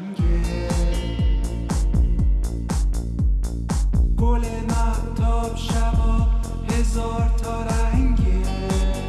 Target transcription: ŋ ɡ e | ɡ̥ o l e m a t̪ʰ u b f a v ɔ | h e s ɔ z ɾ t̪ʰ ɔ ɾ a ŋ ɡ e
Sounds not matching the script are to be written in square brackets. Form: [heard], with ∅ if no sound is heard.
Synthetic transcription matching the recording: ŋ ɡ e | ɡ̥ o l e m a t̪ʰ [ɔ] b [ʃ] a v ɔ | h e [z] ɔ [∅] ɾ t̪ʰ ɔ ɾ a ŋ ɡ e